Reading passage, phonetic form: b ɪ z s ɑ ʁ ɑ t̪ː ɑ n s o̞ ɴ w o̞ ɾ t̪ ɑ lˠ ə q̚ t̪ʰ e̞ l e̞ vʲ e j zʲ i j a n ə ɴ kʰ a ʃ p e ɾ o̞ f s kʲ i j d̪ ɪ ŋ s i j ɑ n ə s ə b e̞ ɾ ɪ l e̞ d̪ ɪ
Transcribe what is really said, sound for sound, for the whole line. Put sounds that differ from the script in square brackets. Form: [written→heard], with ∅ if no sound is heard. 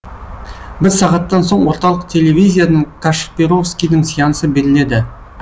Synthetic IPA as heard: b ɪ z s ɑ ʁ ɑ t̪ː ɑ n s o̞ ɴ w o̞ ɾ t̪ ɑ lˠ ə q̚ t̪ʰ e̞ l e̞ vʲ [e→i] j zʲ i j a n ə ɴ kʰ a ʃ p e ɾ o̞ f s kʲ i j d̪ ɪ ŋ s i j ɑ n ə s ə b e̞ ɾ ɪ l e̞ d̪ ɪ